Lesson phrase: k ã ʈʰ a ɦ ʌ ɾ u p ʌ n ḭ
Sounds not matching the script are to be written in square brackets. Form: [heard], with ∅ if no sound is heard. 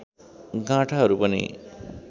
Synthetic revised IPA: [ɡ] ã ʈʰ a ɦ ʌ ɾ u p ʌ n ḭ